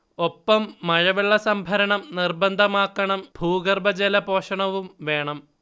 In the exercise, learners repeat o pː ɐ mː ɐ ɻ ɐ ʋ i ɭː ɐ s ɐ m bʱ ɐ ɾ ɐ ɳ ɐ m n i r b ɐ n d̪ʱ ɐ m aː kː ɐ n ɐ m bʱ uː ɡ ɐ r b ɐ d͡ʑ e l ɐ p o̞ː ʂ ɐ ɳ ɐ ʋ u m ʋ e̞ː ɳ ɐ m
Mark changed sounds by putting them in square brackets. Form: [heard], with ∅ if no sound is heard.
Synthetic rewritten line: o pː ɐ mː ɐ ɻ ɐ ʋ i ɭː ɐ s ɐ m bʱ ɐ ɾ ɐ ɳ ɐ m n i r b ɐ n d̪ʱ ɐ m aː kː ɐ [ɳ] ɐ m bʱ uː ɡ ɐ r b ɐ d͡ʑ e l ɐ p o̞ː ʂ ɐ ɳ ɐ ʋ u m ʋ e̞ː ɳ ɐ m